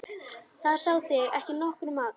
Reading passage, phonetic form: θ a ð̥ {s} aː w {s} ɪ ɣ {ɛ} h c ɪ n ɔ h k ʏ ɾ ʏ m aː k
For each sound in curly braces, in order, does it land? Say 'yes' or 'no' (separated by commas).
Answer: yes, no, yes